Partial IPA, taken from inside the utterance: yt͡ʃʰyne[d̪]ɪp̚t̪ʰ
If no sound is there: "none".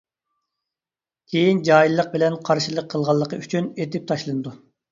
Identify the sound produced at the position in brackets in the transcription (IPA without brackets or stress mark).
t̪